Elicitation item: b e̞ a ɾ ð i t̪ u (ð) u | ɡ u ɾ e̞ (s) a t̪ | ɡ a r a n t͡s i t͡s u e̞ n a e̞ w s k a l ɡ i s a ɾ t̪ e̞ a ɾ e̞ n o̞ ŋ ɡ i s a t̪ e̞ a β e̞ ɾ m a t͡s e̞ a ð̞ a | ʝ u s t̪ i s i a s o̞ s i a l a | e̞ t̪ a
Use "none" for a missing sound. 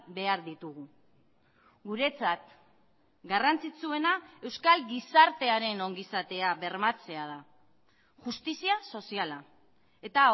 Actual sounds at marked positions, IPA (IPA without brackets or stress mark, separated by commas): ɣ, t͡s